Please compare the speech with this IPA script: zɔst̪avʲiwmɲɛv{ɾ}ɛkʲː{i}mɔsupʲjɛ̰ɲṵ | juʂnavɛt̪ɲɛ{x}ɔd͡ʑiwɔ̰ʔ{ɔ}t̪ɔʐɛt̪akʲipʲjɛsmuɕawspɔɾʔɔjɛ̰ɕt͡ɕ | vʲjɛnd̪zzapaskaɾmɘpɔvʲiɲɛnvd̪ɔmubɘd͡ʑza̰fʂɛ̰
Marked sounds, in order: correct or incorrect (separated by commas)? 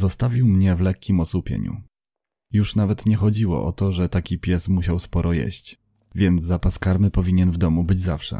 incorrect, correct, correct, correct